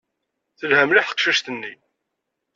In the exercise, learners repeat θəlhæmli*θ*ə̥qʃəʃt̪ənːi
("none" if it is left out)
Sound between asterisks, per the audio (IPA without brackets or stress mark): ħ